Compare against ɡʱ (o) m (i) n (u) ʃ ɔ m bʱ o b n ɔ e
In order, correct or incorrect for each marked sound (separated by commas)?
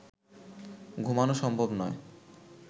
incorrect, incorrect, incorrect